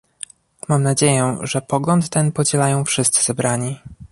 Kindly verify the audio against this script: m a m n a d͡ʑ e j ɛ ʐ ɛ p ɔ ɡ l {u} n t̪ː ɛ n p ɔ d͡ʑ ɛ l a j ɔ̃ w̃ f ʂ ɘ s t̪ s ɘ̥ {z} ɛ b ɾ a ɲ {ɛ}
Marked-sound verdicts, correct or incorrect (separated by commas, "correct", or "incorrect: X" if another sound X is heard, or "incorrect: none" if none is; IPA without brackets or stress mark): incorrect: ɔ, correct, incorrect: i